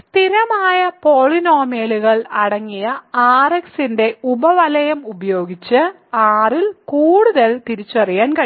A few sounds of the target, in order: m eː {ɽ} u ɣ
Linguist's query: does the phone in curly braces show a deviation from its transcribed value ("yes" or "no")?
yes